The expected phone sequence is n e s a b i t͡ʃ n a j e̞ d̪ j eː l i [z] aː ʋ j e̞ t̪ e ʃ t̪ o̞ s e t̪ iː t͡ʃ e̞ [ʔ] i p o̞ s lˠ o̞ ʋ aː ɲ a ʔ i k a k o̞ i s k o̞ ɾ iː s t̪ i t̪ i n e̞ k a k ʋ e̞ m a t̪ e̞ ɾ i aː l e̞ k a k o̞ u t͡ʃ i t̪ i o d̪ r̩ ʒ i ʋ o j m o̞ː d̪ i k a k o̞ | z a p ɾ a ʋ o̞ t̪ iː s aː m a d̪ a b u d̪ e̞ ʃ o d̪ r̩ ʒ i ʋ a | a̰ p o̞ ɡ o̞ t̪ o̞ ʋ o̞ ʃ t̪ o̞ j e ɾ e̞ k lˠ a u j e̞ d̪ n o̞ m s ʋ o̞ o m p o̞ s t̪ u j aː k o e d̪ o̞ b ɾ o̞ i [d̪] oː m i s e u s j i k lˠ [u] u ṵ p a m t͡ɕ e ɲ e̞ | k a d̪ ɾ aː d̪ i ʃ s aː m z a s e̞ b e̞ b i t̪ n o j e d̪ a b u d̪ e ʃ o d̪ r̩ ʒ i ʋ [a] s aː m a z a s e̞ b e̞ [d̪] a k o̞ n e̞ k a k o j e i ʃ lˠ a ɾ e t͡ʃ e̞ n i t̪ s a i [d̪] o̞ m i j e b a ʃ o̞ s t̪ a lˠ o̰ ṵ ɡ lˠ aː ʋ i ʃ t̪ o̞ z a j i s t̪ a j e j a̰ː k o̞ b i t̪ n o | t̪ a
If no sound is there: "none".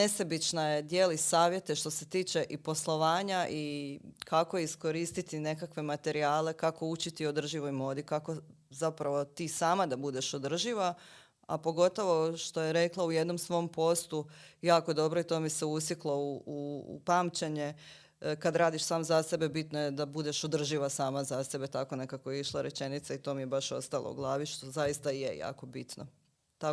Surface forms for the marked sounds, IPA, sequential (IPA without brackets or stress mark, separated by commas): s, ʔ, t̪, o, a, t̪, t̪